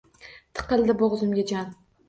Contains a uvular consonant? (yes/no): yes